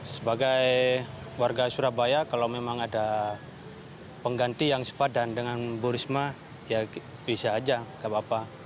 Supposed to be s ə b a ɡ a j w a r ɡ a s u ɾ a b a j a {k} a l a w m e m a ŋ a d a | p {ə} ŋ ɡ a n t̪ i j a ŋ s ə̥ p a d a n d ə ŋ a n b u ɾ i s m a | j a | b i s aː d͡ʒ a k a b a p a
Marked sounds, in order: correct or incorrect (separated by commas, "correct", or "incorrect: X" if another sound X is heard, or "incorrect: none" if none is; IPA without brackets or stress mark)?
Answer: correct, correct